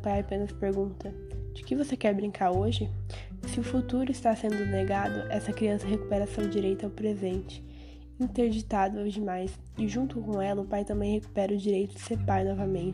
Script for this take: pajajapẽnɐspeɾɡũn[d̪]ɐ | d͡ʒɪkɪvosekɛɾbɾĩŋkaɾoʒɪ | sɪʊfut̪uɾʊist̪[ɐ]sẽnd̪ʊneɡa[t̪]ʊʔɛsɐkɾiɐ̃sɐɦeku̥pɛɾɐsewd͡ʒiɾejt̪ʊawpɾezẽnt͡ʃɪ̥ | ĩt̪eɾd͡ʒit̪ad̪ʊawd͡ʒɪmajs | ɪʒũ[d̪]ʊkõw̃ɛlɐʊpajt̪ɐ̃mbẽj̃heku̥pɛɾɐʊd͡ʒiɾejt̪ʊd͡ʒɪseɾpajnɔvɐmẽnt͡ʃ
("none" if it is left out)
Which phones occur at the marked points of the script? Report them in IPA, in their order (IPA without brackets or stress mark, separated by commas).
t̪, a, d̪, t̪